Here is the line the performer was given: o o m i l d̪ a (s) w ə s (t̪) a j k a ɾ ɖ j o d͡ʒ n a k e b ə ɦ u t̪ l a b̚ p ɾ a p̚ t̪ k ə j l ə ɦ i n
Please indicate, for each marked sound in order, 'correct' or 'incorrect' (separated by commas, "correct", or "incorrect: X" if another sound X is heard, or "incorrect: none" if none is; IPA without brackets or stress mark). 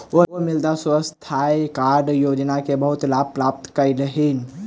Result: correct, incorrect: t̪ʰ